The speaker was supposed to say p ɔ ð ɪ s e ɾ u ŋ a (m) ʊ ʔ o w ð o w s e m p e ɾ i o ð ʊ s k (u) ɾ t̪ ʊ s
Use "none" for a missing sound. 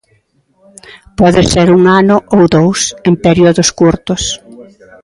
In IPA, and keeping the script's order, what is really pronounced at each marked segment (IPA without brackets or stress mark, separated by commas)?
n, u